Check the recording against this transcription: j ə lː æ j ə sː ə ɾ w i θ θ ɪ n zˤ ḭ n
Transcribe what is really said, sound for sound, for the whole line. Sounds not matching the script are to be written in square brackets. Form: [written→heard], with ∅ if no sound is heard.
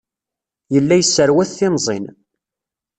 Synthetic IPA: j ə lː æ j ə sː ə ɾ w [i→æ] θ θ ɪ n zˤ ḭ n